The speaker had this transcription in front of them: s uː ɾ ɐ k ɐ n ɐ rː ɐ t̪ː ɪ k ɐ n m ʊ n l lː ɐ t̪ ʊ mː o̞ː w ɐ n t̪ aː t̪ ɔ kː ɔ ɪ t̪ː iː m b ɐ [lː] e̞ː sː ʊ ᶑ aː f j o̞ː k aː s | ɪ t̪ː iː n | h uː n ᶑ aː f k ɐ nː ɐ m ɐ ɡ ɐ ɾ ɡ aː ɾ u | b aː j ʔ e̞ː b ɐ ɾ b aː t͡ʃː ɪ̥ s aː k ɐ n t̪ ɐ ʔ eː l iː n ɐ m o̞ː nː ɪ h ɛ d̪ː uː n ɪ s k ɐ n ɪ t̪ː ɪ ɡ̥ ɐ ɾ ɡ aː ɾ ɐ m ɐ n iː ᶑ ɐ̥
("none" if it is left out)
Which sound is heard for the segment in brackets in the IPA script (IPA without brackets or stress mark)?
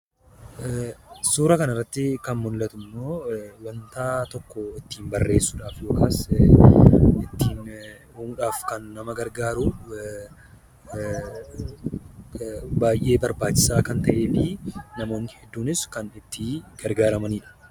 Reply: rː